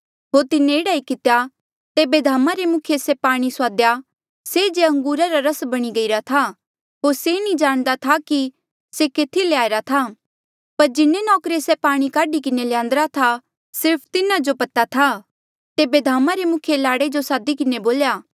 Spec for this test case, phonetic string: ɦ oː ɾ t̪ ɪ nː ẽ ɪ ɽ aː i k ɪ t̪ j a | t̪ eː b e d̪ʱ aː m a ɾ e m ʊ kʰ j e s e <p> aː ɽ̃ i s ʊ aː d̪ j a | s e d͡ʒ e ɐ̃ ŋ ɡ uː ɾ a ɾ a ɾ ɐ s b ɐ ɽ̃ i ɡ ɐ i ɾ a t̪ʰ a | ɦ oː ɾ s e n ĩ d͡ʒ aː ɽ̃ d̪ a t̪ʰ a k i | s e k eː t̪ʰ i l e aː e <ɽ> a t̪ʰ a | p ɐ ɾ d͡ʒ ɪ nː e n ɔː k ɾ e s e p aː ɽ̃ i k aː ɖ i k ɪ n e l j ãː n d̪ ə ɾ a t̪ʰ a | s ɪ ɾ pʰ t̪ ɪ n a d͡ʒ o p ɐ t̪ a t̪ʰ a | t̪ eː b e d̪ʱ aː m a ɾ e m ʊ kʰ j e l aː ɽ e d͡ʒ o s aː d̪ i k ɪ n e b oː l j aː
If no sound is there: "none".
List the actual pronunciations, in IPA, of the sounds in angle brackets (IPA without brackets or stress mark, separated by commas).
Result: p, ɾ